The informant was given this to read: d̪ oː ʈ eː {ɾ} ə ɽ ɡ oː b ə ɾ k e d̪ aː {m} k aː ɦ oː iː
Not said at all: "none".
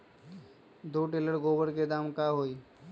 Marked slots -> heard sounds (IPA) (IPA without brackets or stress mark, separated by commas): l, m